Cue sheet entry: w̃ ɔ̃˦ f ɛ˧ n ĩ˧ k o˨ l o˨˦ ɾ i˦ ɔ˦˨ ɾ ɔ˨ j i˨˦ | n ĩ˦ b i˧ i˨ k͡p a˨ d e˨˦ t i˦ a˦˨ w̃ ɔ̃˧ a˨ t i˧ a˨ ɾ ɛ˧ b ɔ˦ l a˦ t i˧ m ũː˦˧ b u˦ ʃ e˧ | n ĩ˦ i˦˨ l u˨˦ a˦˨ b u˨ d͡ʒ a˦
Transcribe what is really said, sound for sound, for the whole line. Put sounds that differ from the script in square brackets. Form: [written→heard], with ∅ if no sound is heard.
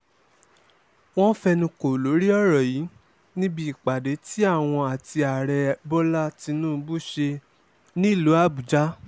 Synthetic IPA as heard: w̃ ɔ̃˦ f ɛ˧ n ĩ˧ k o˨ l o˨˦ ɾ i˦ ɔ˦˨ ɾ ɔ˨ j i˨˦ | n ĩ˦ b i˧ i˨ k͡p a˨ d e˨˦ t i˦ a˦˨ w̃ ɔ̃˧ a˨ t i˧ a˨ ɾ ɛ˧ b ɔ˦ l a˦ t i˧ [m→n] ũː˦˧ b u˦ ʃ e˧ | n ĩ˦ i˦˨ l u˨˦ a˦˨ b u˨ d͡ʒ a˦